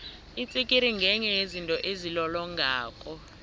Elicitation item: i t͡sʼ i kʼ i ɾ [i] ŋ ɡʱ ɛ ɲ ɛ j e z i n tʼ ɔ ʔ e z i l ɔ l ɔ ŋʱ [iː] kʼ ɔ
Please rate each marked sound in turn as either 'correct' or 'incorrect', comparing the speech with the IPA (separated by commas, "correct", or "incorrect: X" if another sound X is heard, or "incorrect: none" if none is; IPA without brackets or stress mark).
correct, incorrect: aː